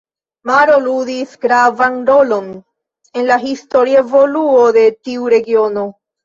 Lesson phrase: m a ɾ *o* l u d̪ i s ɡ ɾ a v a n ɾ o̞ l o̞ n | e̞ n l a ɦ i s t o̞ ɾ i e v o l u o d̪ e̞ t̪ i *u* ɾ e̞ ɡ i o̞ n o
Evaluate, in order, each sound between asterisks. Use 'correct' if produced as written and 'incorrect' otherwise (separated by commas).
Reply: correct, correct